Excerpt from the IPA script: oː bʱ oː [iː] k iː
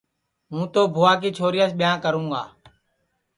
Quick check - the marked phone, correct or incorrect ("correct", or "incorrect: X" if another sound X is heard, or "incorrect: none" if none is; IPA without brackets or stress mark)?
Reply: incorrect: aː